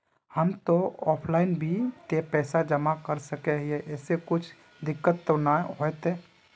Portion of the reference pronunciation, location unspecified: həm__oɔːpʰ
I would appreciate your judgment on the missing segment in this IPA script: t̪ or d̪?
t̪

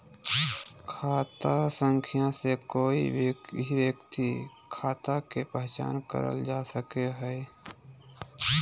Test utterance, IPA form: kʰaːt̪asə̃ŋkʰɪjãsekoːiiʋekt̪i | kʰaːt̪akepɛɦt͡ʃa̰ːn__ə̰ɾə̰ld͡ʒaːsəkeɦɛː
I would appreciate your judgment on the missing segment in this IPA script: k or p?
k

